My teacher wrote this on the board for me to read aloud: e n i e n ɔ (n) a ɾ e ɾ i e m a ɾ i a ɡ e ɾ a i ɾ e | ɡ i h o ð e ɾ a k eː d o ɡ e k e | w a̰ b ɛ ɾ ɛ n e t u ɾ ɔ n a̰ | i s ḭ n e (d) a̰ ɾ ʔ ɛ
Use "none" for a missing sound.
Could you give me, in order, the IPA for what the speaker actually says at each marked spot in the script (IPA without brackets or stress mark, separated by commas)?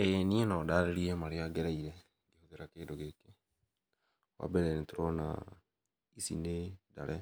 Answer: d, d